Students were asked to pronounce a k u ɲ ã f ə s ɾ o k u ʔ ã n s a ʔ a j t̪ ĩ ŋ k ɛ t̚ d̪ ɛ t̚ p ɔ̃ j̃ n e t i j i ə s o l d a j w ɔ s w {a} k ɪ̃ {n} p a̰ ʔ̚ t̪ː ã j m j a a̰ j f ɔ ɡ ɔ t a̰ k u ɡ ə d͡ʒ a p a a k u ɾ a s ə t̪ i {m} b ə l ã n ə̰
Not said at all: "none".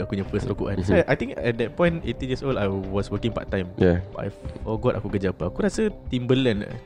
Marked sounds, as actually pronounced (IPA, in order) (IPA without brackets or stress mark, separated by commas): ə, ŋ, m